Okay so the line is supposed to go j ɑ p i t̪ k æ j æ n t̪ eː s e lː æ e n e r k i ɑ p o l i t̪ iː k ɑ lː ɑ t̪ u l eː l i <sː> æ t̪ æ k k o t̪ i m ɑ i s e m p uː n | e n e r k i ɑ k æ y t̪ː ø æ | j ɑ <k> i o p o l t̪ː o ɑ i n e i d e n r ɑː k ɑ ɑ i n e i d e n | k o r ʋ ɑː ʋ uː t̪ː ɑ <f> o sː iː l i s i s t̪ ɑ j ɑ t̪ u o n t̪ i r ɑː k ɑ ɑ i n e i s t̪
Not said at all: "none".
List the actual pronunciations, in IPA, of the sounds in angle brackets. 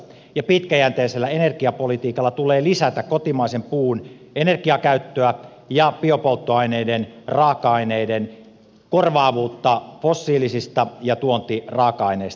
s, p, f

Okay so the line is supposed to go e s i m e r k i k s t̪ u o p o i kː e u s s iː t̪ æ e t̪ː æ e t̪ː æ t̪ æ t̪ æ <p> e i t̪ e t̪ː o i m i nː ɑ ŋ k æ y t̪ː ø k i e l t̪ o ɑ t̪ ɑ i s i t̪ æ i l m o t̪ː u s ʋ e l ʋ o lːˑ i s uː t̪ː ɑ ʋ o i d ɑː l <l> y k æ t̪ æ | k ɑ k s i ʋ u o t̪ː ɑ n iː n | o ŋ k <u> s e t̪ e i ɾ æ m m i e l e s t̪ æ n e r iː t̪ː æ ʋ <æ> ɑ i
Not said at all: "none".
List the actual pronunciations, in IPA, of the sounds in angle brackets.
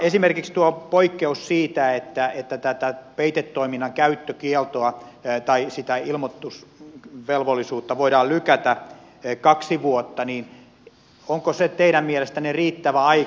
p, l, o, æ

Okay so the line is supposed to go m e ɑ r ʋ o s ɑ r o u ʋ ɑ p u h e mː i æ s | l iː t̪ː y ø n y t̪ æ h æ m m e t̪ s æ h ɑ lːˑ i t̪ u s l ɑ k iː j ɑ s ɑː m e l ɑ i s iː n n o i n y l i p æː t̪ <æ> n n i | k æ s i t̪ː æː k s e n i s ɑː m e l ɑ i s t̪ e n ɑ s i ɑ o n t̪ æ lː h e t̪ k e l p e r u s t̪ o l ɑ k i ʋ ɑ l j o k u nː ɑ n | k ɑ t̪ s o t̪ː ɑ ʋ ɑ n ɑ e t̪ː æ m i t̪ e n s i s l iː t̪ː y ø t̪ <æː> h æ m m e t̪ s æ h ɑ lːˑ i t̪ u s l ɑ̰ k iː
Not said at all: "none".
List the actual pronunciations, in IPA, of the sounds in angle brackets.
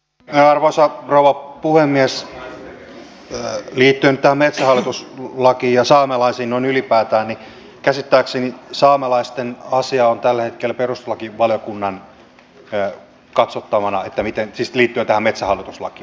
æː, æ

